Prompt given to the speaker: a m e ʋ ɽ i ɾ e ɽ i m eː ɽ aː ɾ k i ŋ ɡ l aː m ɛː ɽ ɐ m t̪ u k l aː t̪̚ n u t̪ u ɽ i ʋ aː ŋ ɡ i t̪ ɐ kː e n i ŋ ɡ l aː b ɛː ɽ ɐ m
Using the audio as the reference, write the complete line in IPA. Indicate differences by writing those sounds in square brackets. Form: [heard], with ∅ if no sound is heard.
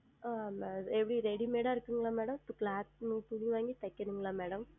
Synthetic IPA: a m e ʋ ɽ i ɾ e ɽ i m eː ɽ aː ɾ k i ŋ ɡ l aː m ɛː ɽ ɐ m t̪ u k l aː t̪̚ n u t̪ u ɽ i ʋ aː ŋ ɡ i t̪ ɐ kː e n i ŋ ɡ l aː [m] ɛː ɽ ɐ m